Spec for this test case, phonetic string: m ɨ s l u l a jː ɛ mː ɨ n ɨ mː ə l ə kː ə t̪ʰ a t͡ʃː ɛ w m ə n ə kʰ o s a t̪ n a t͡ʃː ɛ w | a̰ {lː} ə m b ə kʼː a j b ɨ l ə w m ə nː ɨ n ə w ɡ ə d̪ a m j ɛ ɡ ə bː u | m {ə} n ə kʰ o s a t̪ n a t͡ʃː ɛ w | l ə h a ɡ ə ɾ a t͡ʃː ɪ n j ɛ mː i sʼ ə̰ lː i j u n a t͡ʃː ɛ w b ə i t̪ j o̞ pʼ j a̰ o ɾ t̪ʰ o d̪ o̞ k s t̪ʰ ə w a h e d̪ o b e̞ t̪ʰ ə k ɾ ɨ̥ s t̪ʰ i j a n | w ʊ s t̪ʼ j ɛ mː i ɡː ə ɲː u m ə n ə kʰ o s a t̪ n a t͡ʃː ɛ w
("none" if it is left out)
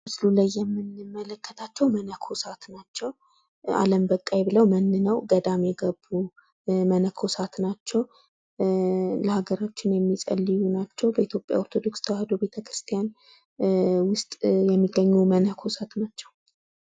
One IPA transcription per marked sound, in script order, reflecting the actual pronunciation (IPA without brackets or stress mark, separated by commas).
l, ə